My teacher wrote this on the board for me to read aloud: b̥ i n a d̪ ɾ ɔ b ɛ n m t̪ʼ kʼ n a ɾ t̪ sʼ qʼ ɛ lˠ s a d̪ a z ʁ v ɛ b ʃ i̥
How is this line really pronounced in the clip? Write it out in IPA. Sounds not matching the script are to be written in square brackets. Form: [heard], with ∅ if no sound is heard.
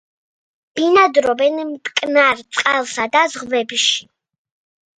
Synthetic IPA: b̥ i n a d̪ ɾ ɔ b ɛ n m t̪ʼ kʼ n a ɾ t̪ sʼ qʼ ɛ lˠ s a d̪ a z ʁ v ɛ b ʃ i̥